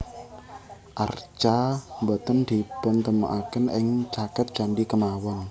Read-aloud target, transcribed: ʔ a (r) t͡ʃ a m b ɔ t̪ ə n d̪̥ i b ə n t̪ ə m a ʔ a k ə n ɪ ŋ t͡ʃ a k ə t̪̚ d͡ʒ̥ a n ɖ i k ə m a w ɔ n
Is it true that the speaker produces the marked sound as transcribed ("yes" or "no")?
yes